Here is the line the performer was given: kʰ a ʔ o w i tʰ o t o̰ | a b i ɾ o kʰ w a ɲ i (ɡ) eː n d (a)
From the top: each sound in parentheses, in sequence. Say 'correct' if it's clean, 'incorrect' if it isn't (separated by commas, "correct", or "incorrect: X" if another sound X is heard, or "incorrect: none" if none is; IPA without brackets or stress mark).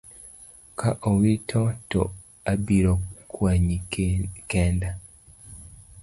incorrect: k, correct